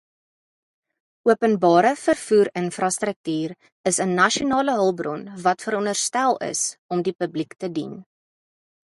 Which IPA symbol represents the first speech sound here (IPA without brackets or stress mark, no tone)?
u